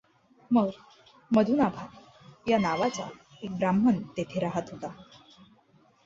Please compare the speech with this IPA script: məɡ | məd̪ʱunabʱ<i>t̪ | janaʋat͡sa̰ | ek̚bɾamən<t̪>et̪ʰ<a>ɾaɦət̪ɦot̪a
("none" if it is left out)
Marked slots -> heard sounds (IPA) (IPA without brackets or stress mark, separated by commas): a, t̪, e